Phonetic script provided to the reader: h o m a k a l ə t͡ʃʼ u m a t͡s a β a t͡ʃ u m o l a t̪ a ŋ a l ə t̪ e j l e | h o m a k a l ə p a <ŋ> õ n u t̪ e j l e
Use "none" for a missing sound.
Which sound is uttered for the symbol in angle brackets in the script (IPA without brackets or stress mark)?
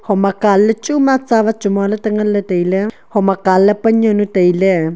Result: ɲ